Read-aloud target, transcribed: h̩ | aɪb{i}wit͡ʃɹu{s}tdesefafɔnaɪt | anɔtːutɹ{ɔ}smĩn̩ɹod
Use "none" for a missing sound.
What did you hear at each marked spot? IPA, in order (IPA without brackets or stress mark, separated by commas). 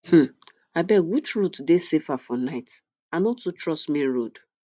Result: ɛ, none, ɔ